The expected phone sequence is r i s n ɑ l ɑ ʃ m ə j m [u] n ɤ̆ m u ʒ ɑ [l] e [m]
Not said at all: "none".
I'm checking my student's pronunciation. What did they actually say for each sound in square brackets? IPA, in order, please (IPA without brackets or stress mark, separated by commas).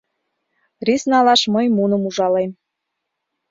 u, l, m